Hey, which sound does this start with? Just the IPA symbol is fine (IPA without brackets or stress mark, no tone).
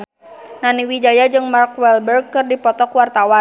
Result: n